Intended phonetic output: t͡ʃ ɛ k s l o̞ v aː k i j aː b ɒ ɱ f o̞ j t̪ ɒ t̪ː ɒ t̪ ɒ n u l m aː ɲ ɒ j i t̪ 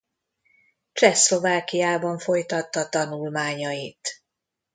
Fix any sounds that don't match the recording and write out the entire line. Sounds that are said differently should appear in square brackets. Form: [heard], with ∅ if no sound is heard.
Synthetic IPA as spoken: t͡ʃ ɛ [∅] s l o̞ v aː k i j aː b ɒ ɱ f o̞ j t̪ ɒ t̪ː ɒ t̪ ɒ n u l m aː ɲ ɒ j i t̪